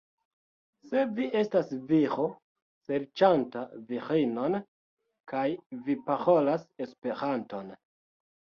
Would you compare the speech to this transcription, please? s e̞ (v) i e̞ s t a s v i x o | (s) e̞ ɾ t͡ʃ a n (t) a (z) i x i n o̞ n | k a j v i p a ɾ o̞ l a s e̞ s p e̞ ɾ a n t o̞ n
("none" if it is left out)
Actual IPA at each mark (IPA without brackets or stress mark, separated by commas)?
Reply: v, s, t, v